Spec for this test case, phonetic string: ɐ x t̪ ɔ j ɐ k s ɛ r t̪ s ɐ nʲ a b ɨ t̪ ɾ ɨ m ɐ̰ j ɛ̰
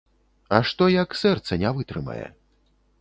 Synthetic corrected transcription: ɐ ʂ t̪ ɔ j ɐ k s ɛ r t̪ s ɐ nʲ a v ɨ t̪ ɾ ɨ m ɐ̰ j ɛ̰